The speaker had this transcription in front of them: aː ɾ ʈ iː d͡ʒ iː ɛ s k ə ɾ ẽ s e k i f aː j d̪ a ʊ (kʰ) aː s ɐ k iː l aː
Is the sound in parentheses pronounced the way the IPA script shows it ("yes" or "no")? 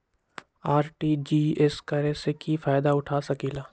no